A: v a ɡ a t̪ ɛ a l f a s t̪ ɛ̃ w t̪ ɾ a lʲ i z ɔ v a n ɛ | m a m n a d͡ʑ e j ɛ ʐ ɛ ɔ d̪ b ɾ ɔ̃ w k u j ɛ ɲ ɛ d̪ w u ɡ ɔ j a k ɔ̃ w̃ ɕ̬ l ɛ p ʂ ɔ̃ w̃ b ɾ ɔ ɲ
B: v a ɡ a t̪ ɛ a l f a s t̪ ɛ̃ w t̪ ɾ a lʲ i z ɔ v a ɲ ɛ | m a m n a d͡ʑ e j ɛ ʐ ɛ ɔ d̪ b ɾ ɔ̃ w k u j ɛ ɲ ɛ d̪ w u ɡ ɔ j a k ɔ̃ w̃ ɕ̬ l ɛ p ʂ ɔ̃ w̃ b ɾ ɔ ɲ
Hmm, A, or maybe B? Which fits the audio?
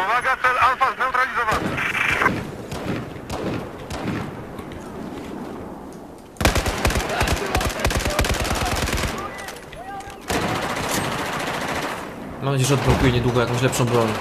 A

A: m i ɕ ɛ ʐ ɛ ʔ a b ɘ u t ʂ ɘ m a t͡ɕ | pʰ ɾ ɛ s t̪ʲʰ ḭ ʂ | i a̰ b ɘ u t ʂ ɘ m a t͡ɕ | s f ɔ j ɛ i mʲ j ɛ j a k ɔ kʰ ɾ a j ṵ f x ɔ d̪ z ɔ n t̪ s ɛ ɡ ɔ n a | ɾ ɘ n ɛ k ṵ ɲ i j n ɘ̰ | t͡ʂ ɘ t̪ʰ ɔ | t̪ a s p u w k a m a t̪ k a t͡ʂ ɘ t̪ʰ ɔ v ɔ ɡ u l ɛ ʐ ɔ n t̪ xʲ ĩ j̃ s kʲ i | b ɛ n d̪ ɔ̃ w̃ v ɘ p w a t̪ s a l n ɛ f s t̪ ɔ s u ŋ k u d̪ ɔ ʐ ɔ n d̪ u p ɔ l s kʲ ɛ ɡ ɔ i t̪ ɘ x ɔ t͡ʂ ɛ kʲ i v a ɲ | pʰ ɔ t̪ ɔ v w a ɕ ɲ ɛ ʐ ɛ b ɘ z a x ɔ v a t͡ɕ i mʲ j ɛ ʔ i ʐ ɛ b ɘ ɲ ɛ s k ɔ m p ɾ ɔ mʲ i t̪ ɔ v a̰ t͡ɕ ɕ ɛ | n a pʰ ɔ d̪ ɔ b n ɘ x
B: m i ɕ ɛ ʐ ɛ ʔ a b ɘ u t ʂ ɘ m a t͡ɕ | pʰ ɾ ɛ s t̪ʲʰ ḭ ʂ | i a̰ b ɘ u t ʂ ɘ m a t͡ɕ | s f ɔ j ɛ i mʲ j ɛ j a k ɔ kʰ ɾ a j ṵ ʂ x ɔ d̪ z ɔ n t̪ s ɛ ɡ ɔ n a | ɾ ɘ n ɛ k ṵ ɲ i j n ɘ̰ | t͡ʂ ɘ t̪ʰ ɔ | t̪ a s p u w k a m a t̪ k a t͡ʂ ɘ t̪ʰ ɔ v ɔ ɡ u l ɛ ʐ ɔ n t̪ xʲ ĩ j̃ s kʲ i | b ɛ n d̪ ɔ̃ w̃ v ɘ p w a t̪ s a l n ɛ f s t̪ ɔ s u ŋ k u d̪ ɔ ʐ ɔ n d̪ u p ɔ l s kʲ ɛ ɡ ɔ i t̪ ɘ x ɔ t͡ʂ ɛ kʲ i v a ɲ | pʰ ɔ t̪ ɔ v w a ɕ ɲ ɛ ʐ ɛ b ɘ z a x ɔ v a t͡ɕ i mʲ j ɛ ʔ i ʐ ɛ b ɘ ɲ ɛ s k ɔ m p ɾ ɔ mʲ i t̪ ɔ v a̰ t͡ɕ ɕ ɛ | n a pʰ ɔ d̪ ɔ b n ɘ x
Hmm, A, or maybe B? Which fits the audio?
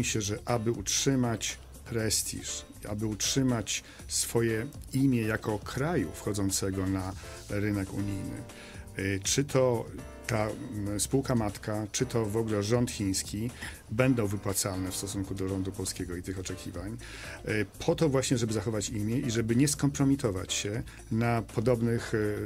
A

